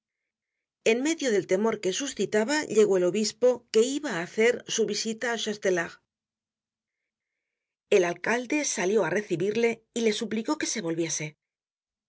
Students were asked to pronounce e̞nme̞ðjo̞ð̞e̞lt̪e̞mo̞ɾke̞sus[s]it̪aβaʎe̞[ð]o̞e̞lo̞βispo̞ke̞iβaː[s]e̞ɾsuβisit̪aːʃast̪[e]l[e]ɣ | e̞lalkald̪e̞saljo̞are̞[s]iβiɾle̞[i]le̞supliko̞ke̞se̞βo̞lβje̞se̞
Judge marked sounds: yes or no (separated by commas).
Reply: no, no, no, yes, no, no, yes